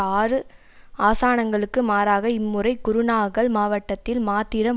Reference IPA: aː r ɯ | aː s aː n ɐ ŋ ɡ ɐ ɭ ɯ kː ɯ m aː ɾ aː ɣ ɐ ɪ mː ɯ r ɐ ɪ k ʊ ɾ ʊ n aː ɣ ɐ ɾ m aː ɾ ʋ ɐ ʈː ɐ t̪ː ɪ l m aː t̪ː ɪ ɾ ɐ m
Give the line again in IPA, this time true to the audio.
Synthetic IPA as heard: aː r ɯ | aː s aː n ɐ ŋ ɡ ɐ ɭ ɯ kː ɯ m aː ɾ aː ɣ ɐ ɪ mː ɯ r ɐ ɪ k ʊ ɾ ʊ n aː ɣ ɐ ɭ m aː ʋ ɐ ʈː ɐ t̪ː ɪ l m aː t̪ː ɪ ɾ ɐ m